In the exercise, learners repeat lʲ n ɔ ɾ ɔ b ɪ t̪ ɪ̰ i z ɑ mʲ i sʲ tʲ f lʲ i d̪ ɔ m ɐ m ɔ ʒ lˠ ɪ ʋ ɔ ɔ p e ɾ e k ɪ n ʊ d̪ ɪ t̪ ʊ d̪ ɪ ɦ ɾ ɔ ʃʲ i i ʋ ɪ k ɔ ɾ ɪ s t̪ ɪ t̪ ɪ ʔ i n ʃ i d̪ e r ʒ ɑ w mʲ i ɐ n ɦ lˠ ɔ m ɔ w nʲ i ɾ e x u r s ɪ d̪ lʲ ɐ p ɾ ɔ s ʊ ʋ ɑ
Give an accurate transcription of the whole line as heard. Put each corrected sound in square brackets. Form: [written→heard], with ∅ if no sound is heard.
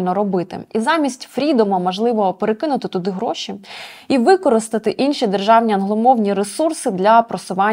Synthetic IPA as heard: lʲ n ɔ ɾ ɔ b ɪ t̪ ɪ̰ i z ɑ mʲ i sʲ tʲ f [lʲ→ɾʲ] i d̪ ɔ m ɐ m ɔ ʒ lˠ ɪ ʋ ɔ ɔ p e ɾ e k ɪ n ʊ [d̪→t̪] ɪ t̪ ʊ d̪ ɪ ɦ ɾ ɔ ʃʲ i i ʋ ɪ k ɔ ɾ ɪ s t̪ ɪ t̪ ɪ ʔ i n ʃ i d̪ e r ʒ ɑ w [mʲ→nʲ] i ɐ n ɦ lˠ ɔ m ɔ w nʲ i ɾ e [x→s] u r s ɪ d̪ lʲ ɐ p ɾ ɔ s ʊ ʋ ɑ